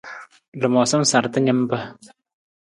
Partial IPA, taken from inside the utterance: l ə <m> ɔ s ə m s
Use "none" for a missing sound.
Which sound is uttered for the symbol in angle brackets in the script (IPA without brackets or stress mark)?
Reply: m